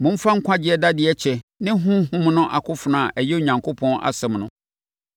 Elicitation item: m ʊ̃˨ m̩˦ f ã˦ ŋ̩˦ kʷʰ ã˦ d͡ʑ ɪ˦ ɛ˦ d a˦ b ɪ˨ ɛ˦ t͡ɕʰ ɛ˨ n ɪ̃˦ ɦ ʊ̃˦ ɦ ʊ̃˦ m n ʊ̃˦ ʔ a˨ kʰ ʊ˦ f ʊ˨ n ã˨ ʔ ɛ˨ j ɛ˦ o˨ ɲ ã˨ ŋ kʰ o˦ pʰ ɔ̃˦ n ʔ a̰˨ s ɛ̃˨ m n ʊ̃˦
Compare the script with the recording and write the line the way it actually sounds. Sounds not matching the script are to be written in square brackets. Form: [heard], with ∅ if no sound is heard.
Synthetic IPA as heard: m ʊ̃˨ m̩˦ f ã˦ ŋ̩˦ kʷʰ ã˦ d͡ʑ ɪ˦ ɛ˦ d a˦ [d] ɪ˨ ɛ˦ t͡ɕʰ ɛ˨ n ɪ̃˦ ɦ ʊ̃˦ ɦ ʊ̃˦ m n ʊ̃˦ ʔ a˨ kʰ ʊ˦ f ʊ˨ n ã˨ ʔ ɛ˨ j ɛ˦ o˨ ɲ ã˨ ŋ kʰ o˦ pʰ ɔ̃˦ n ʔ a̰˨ s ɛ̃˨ m n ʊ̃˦